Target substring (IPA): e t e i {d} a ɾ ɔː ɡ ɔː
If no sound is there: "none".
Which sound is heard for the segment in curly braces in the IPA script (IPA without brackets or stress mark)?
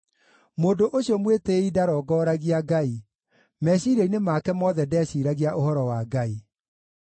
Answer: d